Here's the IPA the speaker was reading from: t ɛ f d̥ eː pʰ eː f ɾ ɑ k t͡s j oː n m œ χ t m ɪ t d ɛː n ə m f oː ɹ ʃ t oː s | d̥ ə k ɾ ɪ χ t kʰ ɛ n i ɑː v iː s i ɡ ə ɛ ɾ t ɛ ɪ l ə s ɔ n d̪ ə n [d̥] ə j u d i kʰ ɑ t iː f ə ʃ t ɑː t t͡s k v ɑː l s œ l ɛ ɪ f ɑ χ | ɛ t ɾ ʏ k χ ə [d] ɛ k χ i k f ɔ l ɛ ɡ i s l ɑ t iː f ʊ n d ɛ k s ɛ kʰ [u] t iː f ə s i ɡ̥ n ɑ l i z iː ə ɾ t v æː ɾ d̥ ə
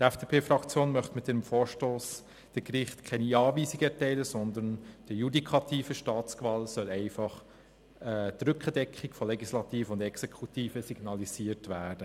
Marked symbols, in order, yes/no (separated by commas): yes, yes, yes